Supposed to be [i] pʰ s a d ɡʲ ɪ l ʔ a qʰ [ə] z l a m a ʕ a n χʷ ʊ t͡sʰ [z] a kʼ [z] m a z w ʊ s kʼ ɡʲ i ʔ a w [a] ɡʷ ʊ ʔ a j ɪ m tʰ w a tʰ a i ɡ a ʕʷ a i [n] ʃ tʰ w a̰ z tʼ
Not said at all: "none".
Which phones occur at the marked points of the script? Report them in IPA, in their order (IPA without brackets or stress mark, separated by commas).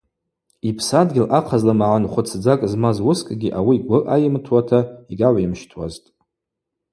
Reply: i, a, d͡z, z, i, m